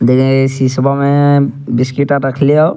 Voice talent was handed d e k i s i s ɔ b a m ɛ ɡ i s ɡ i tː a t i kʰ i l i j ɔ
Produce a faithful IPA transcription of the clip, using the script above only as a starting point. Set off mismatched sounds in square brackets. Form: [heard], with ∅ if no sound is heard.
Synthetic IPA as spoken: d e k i s i s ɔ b a m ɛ [b] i s [k] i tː a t [a] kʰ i l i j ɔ